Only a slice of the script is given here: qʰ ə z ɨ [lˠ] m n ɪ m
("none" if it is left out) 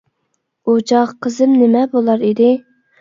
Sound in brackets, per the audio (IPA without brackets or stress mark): none